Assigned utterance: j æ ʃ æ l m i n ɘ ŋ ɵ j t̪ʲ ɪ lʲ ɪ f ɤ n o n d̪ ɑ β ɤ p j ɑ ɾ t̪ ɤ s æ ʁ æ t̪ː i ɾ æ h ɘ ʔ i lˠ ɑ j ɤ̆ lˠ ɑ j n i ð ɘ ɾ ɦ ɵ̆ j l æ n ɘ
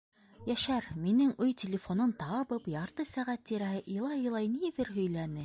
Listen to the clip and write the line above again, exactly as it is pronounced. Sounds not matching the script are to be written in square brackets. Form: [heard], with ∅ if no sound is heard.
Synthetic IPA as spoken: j æ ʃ æ [ɾ] m i n ɘ ŋ ɵ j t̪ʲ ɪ lʲ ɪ f [o] n o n [t̪] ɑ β ɤ p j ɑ ɾ t̪ ɤ s æ ʁ æ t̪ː i ɾ æ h ɘ ʔ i lˠ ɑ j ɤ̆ lˠ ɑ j n i ð ɘ ɾ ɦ ɵ̆ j l æ n ɘ